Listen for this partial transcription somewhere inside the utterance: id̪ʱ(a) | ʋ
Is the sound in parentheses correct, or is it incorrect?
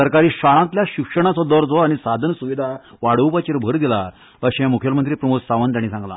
correct